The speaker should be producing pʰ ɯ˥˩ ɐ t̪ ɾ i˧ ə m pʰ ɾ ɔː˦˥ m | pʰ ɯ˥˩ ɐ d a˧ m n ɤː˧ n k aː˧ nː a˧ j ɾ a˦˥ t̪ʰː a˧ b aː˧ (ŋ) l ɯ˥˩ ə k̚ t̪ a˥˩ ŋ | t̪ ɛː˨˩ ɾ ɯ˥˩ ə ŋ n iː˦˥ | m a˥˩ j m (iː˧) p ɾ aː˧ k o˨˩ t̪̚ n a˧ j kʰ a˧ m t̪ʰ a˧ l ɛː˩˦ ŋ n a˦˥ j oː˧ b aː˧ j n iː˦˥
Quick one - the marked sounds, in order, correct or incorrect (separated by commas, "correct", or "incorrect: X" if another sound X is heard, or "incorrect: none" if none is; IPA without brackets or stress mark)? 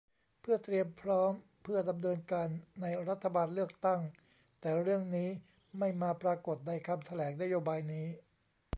incorrect: n, incorrect: aː˧